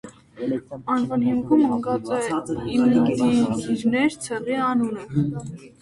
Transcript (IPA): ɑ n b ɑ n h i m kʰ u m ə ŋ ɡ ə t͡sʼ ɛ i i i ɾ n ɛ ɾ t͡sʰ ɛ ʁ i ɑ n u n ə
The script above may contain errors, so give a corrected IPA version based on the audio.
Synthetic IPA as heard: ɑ n v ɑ n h i m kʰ u m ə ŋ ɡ ɑ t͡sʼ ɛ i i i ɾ n ɛ ɾ t͡sʰ ɛ ʁ i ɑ n u n ə